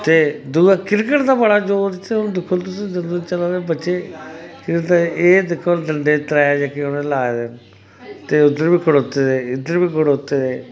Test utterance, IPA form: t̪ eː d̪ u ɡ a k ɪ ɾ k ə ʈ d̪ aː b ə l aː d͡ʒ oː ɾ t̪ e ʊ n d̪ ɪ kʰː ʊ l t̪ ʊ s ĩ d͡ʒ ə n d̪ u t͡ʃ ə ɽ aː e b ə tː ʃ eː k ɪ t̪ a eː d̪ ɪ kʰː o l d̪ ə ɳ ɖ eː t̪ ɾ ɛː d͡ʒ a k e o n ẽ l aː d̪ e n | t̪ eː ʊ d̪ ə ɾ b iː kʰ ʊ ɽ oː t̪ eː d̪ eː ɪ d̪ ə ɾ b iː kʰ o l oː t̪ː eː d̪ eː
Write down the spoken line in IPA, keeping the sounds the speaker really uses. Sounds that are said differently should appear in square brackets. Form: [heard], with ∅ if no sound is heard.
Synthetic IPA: t̪ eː d̪ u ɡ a k ɪ ɾ k ə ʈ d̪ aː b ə [ɽ] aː d͡ʒ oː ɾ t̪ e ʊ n d̪ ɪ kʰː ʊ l t̪ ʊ s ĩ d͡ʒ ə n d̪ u t͡ʃ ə [l] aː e b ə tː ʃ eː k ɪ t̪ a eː d̪ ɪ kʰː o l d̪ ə ɳ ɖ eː t̪ ɾ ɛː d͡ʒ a k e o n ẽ l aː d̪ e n | t̪ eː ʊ d̪ ə ɾ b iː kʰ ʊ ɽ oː t̪ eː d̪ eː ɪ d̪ ə ɾ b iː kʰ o [ɽ] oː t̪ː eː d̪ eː